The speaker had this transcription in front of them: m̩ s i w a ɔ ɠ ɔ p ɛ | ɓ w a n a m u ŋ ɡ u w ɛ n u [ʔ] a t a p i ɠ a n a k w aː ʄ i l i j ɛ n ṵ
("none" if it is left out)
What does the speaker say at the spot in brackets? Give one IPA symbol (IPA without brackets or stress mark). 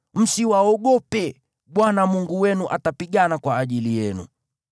ʔ